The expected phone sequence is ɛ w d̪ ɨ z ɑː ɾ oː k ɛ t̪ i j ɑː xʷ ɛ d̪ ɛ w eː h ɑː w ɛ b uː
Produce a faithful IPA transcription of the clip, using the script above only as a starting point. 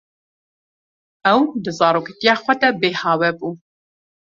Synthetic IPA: ɛ w d̪ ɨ z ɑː ɾ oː k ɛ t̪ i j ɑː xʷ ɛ d̪ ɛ b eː h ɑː w ɛ b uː

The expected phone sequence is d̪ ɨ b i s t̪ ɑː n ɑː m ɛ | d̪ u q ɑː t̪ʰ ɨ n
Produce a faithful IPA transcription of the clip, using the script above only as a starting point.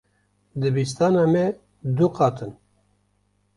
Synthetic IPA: d̪ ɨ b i s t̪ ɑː n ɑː m ɛ | d̪ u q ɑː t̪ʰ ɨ n

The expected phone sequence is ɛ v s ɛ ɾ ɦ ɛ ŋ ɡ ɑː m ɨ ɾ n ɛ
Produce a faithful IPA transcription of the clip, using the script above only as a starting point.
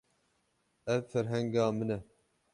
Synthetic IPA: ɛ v f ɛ ɾ ɦ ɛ ŋ ɡ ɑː m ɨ n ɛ

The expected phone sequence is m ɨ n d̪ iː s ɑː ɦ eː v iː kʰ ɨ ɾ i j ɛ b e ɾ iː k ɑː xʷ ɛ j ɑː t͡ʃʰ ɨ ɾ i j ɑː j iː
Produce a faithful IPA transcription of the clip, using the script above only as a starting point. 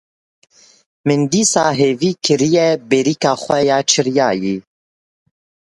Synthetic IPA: m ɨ n d̪ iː s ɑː ɦ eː v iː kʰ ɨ ɾ i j ɛ b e ɾ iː k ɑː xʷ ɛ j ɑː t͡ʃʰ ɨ ɾ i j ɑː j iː

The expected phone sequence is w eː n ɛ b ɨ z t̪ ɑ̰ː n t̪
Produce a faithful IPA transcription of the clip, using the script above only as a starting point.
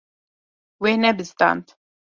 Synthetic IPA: w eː n ɛ b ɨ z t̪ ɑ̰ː n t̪

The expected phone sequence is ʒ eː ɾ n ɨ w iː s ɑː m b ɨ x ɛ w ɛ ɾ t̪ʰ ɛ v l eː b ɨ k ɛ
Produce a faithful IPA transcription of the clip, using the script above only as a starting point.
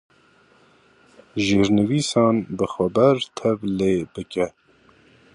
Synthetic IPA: ʒ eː ɾ n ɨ v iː s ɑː n b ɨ x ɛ b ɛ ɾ t̪ʰ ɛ v l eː b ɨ k ɛ

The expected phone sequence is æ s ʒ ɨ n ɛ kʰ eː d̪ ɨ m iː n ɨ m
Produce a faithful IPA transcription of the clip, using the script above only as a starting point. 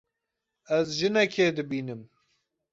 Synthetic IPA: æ z ʒ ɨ n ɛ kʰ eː d̪ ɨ b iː n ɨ m

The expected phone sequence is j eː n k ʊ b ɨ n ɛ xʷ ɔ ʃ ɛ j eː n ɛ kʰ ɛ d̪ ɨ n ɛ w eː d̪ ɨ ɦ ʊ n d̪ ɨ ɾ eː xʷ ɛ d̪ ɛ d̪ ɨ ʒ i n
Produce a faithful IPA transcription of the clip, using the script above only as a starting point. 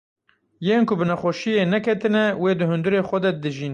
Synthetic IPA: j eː n k ʊ b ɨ n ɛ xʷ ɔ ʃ i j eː n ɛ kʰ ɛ t̪ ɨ n ɛ w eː d̪ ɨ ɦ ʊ n d̪ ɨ ɾ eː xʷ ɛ d̪ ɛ d̪ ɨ ʒ i n

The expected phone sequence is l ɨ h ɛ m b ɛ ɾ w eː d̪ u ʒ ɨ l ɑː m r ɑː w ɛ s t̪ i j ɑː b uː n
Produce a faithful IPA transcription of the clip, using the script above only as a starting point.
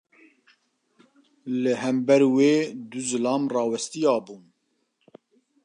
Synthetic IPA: l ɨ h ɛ m b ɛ ɾ w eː d̪ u z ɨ l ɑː m r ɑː w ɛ s t̪ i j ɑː b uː n

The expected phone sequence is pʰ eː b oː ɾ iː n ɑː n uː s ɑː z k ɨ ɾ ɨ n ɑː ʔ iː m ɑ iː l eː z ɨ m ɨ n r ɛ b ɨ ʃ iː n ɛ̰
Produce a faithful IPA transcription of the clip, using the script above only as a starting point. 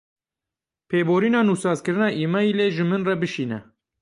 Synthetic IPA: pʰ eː b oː ɾ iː n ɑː n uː s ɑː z k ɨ ɾ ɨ n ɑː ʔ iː m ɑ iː l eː ʒ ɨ m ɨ n r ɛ b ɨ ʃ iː n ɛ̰

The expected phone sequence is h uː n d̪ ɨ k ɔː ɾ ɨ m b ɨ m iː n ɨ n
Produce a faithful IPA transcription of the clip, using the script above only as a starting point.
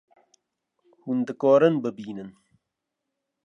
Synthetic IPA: h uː n d̪ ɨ k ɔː ɾ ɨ n b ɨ b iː n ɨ n

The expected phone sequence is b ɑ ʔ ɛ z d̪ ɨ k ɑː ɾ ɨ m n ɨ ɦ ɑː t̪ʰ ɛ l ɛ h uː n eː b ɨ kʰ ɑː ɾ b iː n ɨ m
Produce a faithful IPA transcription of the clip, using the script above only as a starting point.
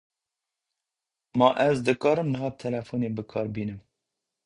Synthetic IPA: m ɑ ʔ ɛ z d̪ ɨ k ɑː ɾ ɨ m n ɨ ɦ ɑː t̪ʰ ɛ l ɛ f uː n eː b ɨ kʰ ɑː ɾ b iː n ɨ m

